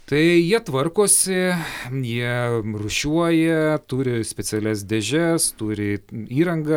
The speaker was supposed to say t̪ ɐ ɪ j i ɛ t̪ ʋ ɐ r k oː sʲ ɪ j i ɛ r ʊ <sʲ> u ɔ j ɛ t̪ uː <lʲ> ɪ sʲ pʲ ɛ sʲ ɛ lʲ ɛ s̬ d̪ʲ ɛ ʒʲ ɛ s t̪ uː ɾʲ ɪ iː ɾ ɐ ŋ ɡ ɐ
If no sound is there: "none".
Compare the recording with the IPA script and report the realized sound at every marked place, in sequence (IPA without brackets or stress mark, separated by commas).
ʃʲ, ɾʲ